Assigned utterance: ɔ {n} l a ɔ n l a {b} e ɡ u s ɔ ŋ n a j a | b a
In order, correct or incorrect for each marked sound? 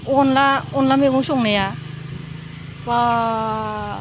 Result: correct, incorrect: m

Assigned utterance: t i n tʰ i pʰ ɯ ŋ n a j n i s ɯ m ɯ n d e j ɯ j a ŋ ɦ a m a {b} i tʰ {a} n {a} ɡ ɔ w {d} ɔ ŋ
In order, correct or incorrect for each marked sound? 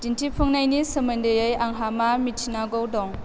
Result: incorrect: m, incorrect: i, correct, correct

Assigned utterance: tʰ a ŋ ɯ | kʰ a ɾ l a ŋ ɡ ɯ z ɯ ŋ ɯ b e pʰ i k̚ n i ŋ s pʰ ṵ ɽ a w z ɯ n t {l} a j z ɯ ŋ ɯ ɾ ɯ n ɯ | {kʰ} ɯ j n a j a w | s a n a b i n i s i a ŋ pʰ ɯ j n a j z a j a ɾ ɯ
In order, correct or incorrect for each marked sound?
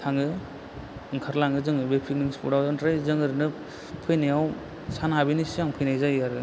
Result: incorrect: ɾ, incorrect: pʰ

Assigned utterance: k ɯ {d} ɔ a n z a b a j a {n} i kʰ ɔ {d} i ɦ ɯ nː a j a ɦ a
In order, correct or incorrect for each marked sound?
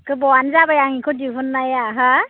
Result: incorrect: b, incorrect: ŋ, correct

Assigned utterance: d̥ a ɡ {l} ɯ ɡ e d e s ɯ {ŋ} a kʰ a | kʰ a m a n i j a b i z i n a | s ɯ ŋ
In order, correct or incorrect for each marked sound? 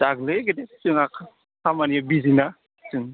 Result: correct, correct

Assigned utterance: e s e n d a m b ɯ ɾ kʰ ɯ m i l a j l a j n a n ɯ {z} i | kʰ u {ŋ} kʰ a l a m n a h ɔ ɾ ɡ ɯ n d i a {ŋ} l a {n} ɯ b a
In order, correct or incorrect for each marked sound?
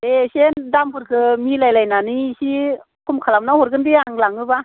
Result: incorrect: s, incorrect: m, correct, incorrect: ŋ

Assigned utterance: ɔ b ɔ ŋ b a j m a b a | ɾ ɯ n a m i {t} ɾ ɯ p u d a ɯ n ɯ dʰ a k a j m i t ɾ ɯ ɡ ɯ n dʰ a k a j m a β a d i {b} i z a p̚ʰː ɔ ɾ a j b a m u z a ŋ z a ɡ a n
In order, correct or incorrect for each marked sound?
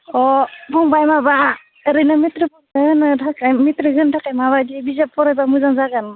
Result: correct, correct

